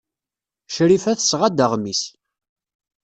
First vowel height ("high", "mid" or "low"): high